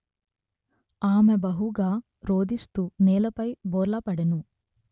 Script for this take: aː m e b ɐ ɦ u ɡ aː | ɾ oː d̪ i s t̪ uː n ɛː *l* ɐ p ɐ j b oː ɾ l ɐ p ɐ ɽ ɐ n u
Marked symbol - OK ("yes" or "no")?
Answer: yes